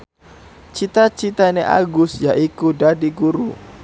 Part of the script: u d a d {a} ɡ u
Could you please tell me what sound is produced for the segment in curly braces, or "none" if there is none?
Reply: i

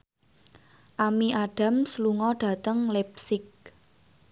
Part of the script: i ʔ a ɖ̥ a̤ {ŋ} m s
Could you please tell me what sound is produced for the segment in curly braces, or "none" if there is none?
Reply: none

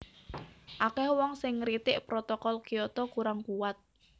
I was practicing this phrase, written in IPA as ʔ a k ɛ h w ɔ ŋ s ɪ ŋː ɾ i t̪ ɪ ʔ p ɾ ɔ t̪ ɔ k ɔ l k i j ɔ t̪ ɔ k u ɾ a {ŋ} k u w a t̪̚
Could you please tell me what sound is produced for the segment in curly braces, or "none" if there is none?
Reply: ŋ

